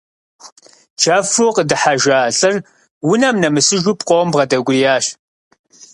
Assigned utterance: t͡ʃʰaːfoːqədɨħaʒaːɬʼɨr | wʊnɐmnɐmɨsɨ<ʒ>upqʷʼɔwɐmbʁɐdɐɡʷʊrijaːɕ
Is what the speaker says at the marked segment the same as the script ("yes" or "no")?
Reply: yes